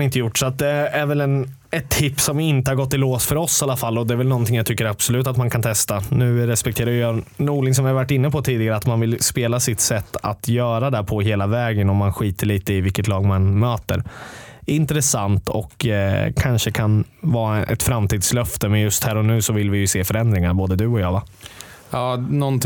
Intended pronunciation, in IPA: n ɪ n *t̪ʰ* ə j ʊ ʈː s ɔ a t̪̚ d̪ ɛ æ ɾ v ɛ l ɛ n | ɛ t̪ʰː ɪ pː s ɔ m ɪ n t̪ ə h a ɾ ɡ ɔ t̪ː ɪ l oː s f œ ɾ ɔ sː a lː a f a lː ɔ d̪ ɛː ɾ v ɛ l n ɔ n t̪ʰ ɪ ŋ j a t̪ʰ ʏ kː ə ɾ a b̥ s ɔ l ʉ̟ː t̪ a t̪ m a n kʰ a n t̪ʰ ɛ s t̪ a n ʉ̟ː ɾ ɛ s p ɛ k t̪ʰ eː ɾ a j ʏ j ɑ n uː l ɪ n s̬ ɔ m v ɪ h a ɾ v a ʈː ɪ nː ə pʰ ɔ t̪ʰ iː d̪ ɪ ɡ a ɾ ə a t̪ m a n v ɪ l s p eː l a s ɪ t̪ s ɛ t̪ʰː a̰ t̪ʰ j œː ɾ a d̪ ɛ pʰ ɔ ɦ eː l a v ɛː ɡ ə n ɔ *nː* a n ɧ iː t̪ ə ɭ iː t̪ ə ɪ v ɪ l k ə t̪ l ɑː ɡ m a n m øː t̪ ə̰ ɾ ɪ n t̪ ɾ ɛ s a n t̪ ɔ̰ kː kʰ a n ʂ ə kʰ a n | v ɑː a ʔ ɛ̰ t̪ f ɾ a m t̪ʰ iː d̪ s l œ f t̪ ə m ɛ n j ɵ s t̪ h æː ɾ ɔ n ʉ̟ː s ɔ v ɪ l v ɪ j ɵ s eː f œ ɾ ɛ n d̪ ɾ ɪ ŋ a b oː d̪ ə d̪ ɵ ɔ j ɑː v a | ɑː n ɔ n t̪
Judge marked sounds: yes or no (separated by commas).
no, no